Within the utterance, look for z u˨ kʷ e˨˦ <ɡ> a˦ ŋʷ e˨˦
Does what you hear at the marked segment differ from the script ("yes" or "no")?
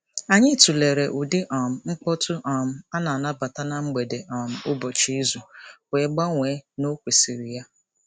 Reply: yes